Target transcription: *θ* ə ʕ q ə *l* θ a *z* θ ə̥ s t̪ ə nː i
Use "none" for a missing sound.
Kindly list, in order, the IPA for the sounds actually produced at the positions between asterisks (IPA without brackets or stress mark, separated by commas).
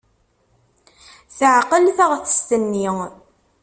θ, l, ʁ